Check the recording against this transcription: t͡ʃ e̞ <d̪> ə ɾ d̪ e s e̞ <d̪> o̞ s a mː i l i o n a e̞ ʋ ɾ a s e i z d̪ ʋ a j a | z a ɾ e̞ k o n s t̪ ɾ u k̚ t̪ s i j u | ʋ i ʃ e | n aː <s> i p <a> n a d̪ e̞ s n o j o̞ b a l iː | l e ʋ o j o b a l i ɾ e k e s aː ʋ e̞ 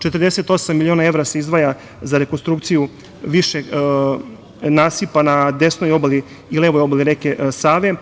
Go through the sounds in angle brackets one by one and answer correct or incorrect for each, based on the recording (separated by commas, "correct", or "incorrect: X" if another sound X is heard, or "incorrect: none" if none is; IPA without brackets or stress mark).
incorrect: t̪, incorrect: t̪, correct, correct